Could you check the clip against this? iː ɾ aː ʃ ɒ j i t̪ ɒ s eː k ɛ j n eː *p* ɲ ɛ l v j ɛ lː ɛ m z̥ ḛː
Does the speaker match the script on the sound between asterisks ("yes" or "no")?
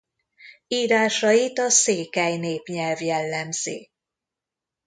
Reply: yes